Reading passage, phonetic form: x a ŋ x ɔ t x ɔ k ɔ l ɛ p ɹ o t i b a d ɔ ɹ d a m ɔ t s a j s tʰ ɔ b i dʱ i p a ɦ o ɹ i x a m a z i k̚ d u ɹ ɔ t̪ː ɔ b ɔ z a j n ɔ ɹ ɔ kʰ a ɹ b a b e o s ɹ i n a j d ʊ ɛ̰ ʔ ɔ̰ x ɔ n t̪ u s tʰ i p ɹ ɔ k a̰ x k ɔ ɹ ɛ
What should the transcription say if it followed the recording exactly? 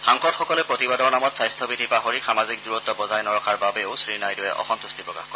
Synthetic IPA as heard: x a ŋ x ɔ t x ɔ k ɔ l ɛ p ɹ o t i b a d ɔ ɹ n a m ɔ t s a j s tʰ ɔ b i dʱ i p a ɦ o ɹ i x a m a z i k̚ d u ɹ ɔ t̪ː ɔ b ɔ z a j n ɔ ɹ ɔ kʰ a ɹ b a b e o s ɹ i n a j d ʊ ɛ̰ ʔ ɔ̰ x ɔ n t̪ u s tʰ i p ɹ ɔ k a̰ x k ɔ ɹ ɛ